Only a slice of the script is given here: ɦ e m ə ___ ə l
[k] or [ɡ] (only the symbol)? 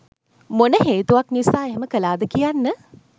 k